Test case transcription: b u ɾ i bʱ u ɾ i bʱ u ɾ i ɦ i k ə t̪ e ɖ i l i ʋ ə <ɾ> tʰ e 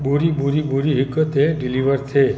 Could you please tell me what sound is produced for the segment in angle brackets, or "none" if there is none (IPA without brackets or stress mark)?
ɾ